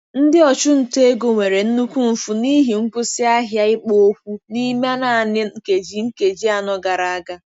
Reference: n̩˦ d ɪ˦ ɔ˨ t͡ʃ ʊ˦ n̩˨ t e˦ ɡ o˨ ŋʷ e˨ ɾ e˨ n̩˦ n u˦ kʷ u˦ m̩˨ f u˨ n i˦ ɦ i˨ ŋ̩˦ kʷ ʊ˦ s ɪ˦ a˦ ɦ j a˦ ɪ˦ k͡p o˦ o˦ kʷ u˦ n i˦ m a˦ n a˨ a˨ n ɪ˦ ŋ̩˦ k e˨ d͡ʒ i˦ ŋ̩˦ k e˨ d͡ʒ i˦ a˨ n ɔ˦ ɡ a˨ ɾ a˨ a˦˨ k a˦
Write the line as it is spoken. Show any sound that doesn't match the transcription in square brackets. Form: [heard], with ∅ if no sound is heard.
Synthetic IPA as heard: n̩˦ d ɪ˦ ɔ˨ t͡ʃ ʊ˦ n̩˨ t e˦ ɡ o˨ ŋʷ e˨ ɾ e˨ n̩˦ n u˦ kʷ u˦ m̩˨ f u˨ n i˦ ɦ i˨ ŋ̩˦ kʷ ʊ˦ s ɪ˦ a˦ ɦ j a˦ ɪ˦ k͡p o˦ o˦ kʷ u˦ n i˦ m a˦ n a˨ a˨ n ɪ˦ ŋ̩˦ k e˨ d͡ʒ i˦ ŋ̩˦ k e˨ d͡ʒ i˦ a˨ n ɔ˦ ɡ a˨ ɾ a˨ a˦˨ [ɡ] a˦